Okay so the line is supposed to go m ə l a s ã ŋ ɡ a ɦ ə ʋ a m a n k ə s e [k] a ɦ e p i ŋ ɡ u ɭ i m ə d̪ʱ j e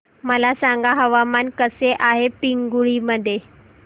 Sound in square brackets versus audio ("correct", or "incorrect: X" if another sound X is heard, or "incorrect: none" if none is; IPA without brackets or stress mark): incorrect: ʔ